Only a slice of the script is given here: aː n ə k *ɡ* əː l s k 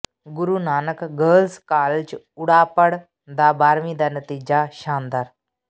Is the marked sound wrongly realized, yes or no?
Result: no